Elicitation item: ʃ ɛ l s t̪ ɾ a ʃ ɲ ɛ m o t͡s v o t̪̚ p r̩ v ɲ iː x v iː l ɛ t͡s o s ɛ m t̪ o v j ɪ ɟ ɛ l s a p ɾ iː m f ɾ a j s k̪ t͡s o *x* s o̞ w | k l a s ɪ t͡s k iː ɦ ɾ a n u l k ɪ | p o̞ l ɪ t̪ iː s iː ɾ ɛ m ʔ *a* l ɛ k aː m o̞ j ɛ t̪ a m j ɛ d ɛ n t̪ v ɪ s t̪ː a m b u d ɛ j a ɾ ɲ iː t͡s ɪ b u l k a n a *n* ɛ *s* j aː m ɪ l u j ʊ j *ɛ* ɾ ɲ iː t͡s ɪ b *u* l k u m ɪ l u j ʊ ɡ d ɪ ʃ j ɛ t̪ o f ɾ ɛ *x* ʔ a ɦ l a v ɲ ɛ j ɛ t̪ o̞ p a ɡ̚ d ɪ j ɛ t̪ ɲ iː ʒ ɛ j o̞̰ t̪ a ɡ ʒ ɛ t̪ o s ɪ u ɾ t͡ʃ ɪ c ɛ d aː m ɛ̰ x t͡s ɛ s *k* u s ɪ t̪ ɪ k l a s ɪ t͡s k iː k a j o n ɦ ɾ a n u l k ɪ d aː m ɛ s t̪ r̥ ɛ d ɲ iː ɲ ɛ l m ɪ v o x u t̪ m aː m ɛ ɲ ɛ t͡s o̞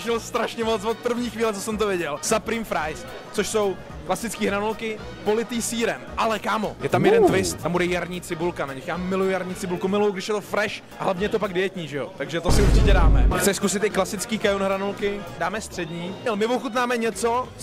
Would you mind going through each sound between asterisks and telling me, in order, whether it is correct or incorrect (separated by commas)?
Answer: incorrect, correct, incorrect, incorrect, incorrect, correct, incorrect, correct